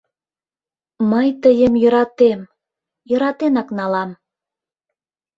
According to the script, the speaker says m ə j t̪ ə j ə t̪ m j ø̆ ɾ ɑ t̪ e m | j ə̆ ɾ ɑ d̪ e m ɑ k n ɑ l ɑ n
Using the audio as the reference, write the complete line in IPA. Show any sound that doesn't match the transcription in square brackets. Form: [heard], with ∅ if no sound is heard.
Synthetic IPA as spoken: m ə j t̪ ə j ə [∅] m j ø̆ ɾ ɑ t̪ e m | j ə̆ ɾ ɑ [t̪] e [n] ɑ k n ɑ l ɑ [m]